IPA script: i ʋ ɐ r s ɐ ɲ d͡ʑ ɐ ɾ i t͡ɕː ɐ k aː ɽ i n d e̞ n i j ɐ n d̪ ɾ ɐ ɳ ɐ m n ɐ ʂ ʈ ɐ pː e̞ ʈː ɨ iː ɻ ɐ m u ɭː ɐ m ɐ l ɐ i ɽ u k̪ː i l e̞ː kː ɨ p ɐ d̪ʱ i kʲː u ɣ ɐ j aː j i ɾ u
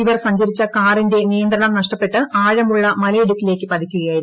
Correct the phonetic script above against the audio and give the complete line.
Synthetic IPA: i ʋ ɐ r s ɐ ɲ d͡ʑ ɐ ɾ i t͡ɕː ɐ k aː r i n d e̞ n i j ɐ n d̪ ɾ ɐ ɳ ɐ m n ɐ ʂ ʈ ɐ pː e̞ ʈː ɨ aː ɻ ɐ m u ɭː ɐ m ɐ l ɐ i ɽ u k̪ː i l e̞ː kː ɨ p ɐ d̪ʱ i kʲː u ɣ ɐ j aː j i ɾ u